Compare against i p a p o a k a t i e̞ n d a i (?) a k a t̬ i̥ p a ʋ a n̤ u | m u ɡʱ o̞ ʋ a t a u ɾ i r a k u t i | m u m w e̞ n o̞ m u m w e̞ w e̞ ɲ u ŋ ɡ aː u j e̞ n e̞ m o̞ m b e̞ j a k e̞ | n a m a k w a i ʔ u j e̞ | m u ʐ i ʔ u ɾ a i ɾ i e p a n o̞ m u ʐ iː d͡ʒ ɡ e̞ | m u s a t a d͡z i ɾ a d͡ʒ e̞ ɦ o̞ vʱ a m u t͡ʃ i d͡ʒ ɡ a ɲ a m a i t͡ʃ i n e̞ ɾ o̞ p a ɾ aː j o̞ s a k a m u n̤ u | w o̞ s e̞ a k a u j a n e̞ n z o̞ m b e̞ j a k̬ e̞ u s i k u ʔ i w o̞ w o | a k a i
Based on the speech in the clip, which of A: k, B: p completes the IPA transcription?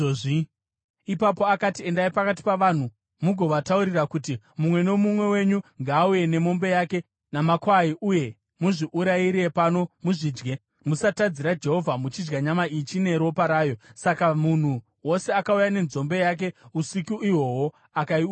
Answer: B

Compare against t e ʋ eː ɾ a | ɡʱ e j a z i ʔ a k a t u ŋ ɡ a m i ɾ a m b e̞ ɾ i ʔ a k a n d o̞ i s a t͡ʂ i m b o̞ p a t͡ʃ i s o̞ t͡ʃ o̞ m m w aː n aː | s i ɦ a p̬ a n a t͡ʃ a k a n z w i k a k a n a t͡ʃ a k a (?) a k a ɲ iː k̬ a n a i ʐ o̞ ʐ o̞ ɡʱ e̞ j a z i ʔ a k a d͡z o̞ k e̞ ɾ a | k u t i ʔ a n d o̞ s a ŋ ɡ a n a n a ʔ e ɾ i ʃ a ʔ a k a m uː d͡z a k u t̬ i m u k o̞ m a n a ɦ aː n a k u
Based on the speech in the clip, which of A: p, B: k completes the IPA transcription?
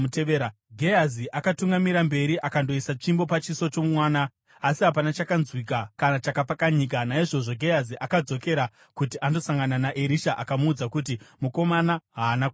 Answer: A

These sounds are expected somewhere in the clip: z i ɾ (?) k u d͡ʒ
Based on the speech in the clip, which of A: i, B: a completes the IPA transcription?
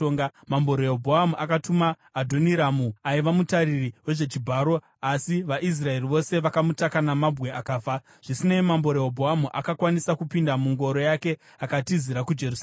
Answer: B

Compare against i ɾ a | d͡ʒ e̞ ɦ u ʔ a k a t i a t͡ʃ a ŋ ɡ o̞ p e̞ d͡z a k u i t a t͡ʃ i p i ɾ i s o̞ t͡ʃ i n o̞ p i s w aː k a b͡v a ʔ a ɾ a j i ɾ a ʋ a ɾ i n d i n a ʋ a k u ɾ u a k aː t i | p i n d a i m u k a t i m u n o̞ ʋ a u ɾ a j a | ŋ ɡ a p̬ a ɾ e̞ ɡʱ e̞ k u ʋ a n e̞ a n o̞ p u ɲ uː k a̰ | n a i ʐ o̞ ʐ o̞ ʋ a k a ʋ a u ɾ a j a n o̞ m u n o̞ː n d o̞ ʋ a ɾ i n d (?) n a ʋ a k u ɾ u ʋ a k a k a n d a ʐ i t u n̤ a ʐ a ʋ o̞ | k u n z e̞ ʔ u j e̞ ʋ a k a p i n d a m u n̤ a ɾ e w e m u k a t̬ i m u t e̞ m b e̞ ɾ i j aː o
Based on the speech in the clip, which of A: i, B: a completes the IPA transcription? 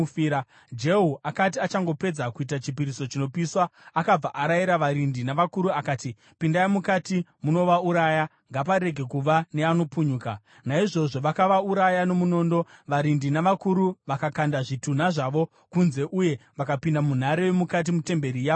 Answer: A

